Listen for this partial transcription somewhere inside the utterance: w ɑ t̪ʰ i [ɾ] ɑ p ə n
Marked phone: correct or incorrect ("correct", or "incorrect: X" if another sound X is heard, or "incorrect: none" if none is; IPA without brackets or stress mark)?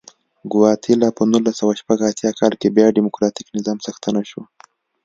incorrect: l